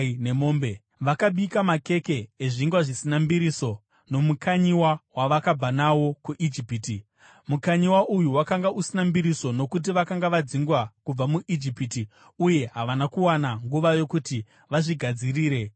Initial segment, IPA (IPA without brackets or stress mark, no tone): n